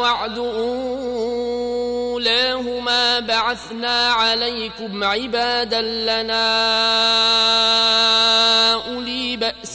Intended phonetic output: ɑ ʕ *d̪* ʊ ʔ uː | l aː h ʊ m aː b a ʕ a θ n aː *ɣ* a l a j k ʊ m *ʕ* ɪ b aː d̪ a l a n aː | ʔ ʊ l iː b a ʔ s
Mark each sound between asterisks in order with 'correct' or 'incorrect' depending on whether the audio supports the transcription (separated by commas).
correct, incorrect, correct